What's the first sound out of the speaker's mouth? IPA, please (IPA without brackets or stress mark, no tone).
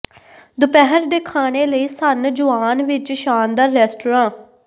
d̪